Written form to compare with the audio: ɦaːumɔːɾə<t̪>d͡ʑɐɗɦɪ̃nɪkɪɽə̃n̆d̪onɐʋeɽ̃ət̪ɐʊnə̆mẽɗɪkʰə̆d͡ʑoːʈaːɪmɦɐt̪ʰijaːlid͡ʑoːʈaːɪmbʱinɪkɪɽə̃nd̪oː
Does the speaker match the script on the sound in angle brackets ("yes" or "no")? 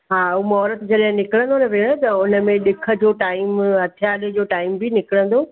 yes